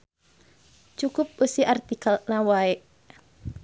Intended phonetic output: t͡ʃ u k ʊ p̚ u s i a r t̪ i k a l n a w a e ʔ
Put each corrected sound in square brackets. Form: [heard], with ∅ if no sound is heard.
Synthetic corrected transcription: t͡ʃ u k ʊ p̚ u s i a r t̪ i k a l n a w a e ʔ